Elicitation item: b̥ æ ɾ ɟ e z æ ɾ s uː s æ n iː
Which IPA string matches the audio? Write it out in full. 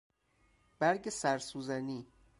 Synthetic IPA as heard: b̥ æ ɾ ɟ e s æ ɾ s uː z æ n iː